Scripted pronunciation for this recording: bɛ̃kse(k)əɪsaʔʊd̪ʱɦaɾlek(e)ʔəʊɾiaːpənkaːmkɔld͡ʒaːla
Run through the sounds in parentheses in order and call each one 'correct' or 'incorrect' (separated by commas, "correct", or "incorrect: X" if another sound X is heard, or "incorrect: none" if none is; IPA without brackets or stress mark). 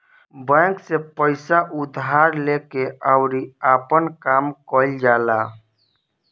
incorrect: p, correct